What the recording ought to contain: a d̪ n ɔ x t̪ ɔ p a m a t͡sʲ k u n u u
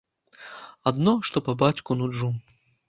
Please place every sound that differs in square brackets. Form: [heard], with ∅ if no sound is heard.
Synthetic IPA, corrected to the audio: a d̪ n ɔ [ʂ] t̪ ɔ p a [b] a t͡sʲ k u n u u